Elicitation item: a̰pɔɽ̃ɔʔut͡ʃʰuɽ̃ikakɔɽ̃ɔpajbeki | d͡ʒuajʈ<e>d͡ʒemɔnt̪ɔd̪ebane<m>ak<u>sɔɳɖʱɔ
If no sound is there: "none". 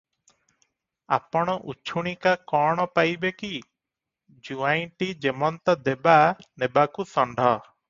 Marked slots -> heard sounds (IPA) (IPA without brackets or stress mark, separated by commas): i, b, u